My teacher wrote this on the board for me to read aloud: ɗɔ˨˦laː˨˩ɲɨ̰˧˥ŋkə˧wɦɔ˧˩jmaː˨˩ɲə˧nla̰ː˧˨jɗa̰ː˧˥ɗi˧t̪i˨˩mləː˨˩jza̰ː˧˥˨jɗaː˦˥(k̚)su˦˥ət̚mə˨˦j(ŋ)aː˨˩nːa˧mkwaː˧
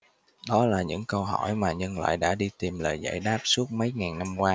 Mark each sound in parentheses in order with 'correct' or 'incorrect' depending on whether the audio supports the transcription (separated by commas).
incorrect, correct